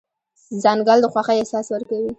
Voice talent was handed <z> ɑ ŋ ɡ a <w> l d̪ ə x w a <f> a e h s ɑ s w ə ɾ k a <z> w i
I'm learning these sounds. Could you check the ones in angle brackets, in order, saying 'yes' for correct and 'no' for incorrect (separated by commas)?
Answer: yes, no, no, no